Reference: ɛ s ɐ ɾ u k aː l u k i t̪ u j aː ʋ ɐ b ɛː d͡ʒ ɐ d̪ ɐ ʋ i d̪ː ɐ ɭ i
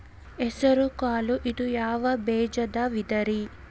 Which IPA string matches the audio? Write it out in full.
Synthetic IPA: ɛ s ɐ ɾ u k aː l u ʔ i d̪ u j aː ʋ ɐ b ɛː d͡ʒ ɐ d̪ ɐ ʋ i d̪ ɐ ɾ i